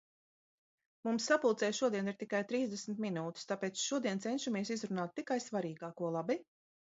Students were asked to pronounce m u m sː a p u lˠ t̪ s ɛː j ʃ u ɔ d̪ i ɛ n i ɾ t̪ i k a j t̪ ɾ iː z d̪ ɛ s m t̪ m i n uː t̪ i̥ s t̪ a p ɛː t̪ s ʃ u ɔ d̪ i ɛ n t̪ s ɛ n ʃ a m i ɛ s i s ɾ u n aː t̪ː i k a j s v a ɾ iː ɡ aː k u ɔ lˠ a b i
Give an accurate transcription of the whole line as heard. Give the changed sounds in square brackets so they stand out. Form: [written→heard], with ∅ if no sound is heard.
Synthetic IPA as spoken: m u m sː a p u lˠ t̪ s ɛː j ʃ u ɔ d̪ i ɛ n i ɾ t̪ i k a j t̪ ɾ iː z d̪ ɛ s m t̪ m i n uː t̪ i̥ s t̪ a p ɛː t̪ s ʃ u ɔ d̪ i ɛ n t̪ s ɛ n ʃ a m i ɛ s i [s→z] ɾ u n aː t̪ː i k a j s v a ɾ iː ɡ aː k u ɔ lˠ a b i